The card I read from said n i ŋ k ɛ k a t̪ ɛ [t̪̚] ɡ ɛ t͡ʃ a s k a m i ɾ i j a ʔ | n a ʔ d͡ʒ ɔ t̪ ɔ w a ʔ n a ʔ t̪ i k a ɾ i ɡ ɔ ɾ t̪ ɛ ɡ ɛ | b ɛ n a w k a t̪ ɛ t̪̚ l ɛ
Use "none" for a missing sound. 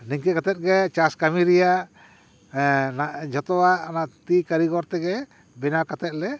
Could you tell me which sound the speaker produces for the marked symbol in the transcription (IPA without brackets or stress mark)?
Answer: t̪̚